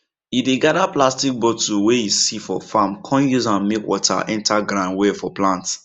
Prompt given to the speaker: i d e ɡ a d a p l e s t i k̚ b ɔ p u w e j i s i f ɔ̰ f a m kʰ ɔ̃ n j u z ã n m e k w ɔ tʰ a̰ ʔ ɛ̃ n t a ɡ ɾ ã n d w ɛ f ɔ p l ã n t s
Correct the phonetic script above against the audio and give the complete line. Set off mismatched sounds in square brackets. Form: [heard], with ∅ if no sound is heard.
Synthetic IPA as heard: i d e ɡ a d a p l [a] s t i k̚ b ɔ [t] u w e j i s i f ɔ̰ f a m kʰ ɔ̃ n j u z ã n m e k w ɔ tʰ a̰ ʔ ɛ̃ n t a ɡ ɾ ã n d w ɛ f ɔ p l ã n t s